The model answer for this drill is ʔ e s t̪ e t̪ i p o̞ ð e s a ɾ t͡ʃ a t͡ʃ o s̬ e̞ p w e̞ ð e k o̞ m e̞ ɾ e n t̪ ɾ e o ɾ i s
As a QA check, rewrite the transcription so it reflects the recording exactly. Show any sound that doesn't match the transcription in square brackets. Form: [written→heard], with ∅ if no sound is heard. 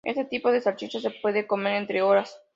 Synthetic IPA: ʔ e s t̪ e t̪ i p o̞ ð e s a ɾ t͡ʃ [a→i] t͡ʃ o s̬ e̞ p w e̞ ð e k o̞ m e̞ ɾ e n t̪ ɾ e o ɾ [i→a] s